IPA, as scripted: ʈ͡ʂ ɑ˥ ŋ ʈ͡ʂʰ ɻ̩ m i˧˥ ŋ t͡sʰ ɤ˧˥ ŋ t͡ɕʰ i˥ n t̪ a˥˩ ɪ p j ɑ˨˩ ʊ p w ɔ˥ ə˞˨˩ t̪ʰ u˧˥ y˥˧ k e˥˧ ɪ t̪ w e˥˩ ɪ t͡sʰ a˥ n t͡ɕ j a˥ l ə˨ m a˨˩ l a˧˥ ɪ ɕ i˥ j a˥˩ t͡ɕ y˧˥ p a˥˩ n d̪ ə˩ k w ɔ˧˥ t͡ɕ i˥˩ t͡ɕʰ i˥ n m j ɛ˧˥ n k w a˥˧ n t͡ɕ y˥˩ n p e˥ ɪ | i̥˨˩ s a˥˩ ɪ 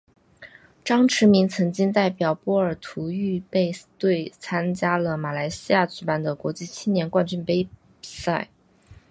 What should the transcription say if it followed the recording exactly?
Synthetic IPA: ʈ͡ʂ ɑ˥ ŋ ʈ͡ʂʰ ɻ̩ m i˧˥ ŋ t͡sʰ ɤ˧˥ ŋ t͡ɕ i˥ ŋ t̪ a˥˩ ɪ p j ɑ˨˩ ʊ p w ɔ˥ ə˞˨˩ t̪ʰ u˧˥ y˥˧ p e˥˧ ɪ t̪ w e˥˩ ɪ t͡sʰ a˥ n t͡ɕ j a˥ l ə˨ m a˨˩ l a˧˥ ɪ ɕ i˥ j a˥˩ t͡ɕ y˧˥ p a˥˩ n d̪ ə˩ k w ɔ˧˥ t͡ɕ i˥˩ t͡ɕʰ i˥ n n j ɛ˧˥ n k w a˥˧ n t͡ɕ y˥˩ n p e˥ ɪ | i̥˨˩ s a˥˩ ɪ